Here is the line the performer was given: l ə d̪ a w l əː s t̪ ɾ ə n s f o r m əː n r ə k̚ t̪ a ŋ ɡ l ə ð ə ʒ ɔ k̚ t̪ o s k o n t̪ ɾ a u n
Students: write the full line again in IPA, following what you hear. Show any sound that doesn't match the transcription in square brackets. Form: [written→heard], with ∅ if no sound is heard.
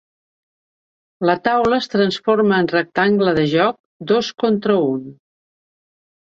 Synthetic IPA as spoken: l ə [d̪→t̪] a w l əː s t̪ ɾ ə n s f o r m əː n r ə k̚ t̪ a ŋ ɡ l ə ð ə ʒ ɔ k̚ [t̪→d̪] o s k o n t̪ ɾ [a→ə] u n